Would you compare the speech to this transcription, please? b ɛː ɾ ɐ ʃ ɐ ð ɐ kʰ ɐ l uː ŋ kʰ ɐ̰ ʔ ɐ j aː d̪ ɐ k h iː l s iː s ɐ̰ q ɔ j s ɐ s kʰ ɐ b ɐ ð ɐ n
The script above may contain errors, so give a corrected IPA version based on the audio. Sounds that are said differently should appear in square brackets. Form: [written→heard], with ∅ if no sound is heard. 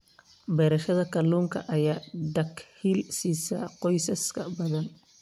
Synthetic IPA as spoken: b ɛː ɾ ɐ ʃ ɐ ð ɐ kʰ ɐ l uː ŋ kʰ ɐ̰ ʔ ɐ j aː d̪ ɐ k h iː l s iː s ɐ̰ q ɔ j s ɐ s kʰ ɐ b ɐ ð ɐ n